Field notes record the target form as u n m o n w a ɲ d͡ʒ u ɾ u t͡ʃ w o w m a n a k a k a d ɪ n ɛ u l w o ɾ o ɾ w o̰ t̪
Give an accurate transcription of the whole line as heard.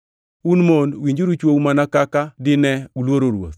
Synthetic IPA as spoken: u n m o n w i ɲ d͡ʒ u ɾ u t͡ʃ w o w m a n a k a k a d ɪ n ɛ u l w o ɾ o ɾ w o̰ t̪

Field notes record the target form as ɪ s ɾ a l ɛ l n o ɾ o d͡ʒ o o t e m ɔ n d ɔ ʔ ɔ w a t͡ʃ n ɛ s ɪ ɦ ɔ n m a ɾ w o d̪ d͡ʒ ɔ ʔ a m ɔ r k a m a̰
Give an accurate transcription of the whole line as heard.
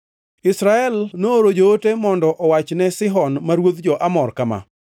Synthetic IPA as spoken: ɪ s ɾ a ɛ l n o ɾ o d͡ʒ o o t e m ɔ n d ɔ ʔ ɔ w a t͡ʃ n ɛ s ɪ ɦ ɔ n m a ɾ w o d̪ d͡ʒ ɔ ʔ a m ɔ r k a m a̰

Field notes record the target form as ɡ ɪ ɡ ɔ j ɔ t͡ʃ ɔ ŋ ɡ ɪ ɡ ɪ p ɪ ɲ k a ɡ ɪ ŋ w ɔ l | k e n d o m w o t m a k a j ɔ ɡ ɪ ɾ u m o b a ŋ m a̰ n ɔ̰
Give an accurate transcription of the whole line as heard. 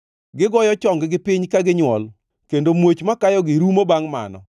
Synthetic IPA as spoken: ɡ ɪ ɡ ɔ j ɔ t͡ʃ ɔ ŋ ɡ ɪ ɡ ɪ p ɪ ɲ k a ɡ ɪ ɲ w ɔ l | k e n d o m w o t͡ʃ m a k a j ɔ ɡ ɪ ɾ u m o b a ŋ m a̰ n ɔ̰

